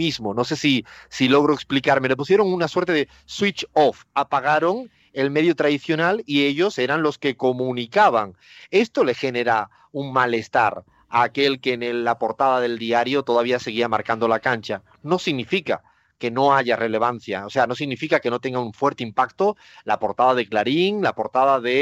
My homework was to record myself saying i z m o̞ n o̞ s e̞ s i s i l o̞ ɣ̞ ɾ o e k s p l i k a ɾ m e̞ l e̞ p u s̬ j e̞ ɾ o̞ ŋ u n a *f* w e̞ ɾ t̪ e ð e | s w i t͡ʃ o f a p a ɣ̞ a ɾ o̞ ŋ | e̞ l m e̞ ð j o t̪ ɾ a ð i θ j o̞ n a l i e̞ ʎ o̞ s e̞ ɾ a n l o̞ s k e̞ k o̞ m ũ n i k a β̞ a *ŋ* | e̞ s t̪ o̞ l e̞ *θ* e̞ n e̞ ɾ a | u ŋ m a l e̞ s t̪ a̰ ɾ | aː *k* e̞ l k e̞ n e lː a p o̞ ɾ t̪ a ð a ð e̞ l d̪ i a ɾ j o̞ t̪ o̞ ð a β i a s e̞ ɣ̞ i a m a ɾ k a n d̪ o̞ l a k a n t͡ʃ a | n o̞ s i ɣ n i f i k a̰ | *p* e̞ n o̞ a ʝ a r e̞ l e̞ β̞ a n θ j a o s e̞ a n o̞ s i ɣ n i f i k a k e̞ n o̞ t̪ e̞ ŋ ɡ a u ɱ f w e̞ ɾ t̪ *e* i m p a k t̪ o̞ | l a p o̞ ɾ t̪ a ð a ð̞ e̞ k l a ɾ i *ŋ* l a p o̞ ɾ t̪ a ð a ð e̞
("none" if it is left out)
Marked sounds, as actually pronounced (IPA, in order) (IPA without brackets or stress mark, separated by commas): s, ŋ, x, k, k, e, ŋ